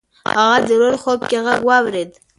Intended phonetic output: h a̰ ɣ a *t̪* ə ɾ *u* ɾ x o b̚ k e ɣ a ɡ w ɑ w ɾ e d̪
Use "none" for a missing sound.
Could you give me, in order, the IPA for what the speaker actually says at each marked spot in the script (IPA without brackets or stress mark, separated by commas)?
d̪, o